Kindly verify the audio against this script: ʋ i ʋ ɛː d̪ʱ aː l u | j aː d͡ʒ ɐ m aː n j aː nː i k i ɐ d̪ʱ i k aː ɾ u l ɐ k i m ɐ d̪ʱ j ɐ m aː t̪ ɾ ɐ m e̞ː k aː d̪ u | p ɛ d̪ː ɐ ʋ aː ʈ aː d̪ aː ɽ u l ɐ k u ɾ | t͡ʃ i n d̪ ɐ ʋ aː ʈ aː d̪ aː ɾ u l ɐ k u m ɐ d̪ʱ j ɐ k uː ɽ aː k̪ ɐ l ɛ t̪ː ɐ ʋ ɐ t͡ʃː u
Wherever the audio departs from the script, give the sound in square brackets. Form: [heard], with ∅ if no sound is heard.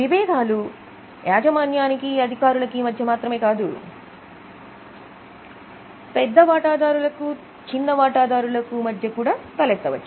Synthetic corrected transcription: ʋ i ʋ ɛː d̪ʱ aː l u | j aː d͡ʒ ɐ m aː n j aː [n] i k i ɐ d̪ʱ i k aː ɾ u l ɐ k i m ɐ d̪ʱ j ɐ m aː t̪ ɾ ɐ m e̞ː k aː d̪ u | p ɛ d̪ː ɐ ʋ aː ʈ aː d̪ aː [ɾ] u l ɐ k u [∅] | t͡ʃ i n d̪ ɐ ʋ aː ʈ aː d̪ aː ɾ u l ɐ k u m ɐ d̪ʱ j ɐ k uː ɽ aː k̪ ɐ l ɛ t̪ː ɐ ʋ ɐ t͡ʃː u